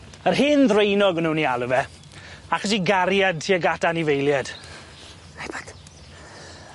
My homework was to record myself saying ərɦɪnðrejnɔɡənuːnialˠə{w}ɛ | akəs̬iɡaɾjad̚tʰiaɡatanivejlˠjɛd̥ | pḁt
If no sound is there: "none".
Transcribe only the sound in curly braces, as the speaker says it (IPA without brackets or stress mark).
v